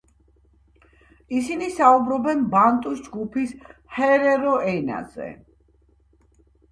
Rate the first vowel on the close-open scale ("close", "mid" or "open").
close